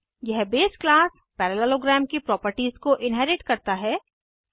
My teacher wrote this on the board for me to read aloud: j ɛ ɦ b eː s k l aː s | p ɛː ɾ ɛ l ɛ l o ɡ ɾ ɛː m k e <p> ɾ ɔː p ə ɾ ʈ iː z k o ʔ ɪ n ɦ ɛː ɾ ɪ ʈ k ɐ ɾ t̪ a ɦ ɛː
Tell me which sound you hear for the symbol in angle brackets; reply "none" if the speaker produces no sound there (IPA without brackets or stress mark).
p